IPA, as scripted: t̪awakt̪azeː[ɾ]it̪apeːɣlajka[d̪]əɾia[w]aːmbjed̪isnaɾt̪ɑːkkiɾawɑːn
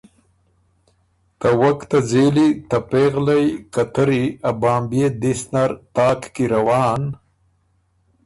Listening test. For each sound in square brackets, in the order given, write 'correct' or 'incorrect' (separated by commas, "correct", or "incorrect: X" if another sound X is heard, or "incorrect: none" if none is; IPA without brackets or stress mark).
incorrect: l, incorrect: t̪, incorrect: b